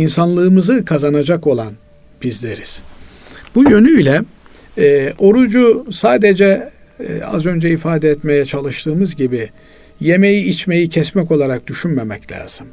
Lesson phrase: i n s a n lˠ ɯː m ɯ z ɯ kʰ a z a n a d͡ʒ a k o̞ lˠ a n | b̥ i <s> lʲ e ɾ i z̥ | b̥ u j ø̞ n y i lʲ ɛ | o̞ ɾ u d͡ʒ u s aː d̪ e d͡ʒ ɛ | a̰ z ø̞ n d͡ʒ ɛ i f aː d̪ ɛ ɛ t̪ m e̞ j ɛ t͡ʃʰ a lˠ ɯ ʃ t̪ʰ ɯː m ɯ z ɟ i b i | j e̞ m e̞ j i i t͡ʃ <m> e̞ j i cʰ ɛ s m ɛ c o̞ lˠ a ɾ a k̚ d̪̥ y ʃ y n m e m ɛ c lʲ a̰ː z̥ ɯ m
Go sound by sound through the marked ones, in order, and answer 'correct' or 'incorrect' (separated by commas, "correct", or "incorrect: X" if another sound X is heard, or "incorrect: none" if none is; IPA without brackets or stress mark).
incorrect: z, correct